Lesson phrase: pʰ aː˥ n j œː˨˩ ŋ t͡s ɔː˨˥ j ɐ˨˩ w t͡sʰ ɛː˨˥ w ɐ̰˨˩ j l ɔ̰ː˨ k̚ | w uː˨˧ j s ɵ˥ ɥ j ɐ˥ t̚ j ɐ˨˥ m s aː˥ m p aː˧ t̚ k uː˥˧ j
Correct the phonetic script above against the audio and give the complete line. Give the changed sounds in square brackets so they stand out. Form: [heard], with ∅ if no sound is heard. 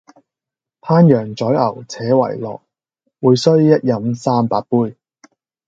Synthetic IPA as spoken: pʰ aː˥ n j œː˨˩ ŋ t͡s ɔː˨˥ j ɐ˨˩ w t͡sʰ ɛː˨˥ w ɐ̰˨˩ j l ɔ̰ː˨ k̚ | w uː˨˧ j s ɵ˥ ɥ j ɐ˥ t̚ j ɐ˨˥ m s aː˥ m p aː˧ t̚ [p] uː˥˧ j

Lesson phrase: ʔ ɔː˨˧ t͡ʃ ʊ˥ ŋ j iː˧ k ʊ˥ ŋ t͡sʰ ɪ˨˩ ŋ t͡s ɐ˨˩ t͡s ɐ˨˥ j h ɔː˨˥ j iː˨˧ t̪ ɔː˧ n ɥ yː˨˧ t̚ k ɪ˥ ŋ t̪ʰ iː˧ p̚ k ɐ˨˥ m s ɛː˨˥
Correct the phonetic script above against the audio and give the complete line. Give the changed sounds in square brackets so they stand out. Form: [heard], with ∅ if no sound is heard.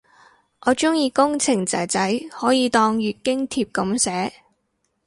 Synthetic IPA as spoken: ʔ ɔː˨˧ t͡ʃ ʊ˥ ŋ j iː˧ k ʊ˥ ŋ t͡sʰ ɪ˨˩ ŋ t͡s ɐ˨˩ t͡s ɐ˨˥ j h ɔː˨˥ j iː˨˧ t̪ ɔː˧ [ŋ] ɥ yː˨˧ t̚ k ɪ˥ ŋ t̪ʰ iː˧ p̚ k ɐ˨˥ m s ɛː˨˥

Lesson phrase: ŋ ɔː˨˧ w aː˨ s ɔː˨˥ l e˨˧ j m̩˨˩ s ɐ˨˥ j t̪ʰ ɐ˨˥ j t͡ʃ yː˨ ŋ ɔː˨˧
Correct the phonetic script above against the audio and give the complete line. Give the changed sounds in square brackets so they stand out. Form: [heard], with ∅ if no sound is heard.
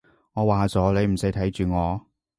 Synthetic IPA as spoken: ŋ ɔː˨˧ w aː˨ [t͡s] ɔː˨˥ l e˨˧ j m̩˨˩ s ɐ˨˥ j t̪ʰ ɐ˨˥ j t͡ʃ yː˨ ŋ ɔː˨˧

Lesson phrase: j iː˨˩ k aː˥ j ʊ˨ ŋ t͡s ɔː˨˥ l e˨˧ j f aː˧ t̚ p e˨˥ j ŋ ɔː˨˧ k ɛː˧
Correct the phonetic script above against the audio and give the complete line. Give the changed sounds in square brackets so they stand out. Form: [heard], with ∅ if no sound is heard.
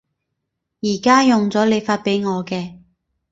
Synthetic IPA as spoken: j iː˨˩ k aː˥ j ʊ˨ ŋ t͡s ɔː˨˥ l e˨˧ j f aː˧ t̚ p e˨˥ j ŋ ɔː˨˧ k ɛː˧

